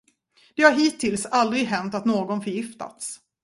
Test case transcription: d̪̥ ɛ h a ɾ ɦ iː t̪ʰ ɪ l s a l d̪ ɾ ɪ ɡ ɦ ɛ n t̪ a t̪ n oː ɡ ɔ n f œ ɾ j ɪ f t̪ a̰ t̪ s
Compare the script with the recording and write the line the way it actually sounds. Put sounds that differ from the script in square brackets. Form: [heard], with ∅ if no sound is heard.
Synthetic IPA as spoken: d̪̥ ɛ h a ɾ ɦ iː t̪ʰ ɪ l s a l d̪ ɾ ɪ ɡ ɦ ɛ n t̪ a t̪ n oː ɡ ɔ n f œ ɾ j ɪ f t̪ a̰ t̪ s